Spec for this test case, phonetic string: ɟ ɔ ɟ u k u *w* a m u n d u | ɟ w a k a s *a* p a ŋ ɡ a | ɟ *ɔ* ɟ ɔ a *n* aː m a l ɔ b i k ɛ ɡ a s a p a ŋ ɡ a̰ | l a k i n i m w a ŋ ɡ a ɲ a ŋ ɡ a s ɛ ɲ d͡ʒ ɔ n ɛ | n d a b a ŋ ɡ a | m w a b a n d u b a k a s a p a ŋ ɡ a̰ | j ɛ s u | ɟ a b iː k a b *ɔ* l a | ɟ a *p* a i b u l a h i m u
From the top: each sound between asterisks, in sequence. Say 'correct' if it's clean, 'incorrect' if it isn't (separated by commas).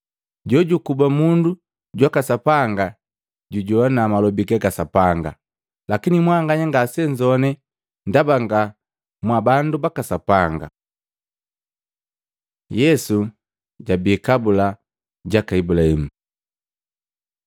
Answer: incorrect, correct, incorrect, correct, incorrect, incorrect